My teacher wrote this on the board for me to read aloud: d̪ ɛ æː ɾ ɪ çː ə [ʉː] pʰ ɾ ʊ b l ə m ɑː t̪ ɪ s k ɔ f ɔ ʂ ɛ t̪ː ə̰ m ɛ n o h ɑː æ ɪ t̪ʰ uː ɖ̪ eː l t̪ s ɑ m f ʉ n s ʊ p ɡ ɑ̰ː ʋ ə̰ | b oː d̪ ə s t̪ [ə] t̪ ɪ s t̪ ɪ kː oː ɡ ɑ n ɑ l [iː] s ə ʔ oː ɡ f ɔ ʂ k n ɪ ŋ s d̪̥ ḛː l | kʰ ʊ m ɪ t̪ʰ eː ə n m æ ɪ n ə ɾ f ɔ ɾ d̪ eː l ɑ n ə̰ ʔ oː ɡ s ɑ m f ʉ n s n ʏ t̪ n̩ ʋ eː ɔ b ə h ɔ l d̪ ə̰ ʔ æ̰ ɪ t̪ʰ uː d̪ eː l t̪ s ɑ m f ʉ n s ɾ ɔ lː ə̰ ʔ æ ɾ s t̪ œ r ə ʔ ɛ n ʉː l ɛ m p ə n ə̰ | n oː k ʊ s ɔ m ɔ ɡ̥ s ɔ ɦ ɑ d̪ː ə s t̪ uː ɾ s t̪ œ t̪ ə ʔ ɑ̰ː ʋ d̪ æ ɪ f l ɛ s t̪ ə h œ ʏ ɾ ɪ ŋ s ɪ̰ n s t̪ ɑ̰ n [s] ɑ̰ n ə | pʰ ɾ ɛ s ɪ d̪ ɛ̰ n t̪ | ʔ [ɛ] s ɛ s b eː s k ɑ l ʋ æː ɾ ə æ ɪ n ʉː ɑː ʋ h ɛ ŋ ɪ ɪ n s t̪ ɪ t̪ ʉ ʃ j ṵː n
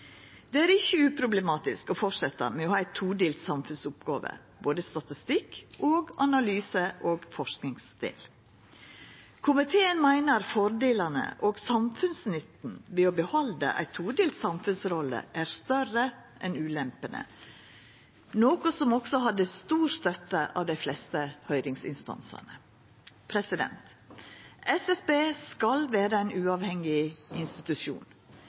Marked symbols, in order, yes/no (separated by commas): yes, no, no, yes, yes